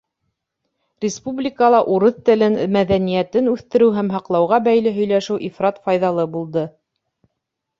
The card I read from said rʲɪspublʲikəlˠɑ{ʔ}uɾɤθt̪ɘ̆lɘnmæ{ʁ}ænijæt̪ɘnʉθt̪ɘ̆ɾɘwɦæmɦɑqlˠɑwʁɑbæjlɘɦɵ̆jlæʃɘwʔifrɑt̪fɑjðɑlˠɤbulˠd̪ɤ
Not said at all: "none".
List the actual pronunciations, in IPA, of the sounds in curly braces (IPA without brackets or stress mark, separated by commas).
ʔ, ð